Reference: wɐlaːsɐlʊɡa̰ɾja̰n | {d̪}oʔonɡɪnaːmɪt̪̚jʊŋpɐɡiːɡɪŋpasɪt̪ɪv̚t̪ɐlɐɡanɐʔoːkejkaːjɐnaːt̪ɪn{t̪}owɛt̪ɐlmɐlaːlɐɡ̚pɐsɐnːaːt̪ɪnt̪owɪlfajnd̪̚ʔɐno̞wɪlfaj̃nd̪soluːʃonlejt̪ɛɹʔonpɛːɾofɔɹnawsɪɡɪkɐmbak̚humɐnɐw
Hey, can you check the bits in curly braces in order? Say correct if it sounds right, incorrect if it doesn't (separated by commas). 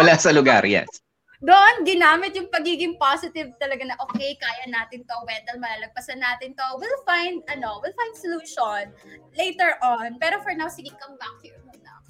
correct, correct